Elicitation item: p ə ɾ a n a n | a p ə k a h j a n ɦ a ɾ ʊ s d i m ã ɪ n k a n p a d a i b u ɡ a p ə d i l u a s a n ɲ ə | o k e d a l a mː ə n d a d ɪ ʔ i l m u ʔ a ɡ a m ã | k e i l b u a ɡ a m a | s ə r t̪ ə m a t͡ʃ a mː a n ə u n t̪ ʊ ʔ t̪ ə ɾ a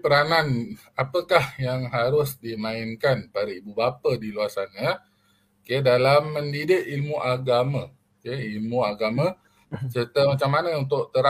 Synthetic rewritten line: p ə ɾ a n a n | a p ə k a h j a ŋ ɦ a ɾ ʊ s d i m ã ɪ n k a n p a d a i b u b a p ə d i l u a s a n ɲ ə | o k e d a l a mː ə n d i d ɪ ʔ i l m u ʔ a ɡ a m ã | k e i l m u a ɡ a m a | s ə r t̪ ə m a t͡ʃ a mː a n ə u n t̪ ʊ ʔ t̪ ə ɾ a